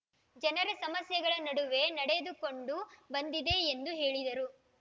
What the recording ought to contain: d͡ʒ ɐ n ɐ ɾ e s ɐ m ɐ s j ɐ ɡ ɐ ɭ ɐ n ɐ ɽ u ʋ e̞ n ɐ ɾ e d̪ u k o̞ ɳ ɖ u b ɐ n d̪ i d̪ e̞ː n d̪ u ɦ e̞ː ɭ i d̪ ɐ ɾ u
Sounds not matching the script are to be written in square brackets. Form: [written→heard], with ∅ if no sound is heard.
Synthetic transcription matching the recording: d͡ʒ ɐ n ɐ ɾ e s ɐ m ɐ s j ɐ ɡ ɐ ɭ ɐ n ɐ ɽ u ʋ e̞ n ɐ [ɾ→ɽ] e d̪ u k o̞ ɳ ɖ u b ɐ n d̪ i d̪ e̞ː n d̪ u ɦ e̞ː ɭ i d̪ ɐ ɾ u